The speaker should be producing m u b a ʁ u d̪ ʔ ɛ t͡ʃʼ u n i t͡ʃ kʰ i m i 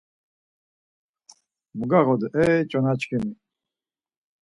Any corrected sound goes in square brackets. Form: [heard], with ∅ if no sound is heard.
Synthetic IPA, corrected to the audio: m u [ɡ] a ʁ [ɔ] d̪ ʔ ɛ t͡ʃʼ [ɔ] n [a] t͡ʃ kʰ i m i